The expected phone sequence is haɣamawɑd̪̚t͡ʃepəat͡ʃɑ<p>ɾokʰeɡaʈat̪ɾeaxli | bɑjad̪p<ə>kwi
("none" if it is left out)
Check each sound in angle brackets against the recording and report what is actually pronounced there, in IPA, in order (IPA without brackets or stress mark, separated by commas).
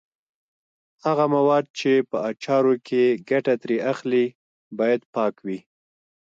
none, ɑ